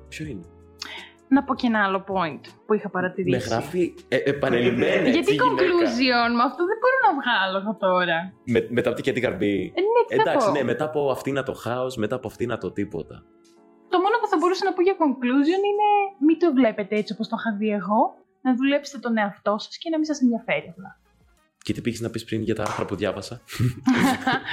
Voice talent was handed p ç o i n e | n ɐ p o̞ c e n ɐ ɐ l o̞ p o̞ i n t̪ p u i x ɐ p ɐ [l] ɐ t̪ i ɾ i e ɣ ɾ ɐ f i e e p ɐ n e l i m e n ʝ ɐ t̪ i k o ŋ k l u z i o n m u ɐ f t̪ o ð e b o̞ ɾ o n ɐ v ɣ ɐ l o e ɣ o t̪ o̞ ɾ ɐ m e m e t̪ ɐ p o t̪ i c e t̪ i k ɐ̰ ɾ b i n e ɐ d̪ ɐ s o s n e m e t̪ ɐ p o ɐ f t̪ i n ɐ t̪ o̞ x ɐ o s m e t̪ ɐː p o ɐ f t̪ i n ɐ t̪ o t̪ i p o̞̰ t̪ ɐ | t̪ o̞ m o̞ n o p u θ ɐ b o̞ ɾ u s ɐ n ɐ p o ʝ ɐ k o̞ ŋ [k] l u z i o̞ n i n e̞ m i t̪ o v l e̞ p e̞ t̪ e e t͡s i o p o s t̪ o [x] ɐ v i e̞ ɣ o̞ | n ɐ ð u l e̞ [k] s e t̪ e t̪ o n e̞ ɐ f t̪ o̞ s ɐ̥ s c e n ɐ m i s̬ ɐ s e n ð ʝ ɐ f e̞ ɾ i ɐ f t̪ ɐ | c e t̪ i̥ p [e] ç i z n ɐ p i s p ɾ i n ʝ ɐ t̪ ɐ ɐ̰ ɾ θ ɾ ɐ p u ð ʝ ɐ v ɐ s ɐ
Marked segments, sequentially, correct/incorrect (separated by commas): incorrect, correct, correct, incorrect, incorrect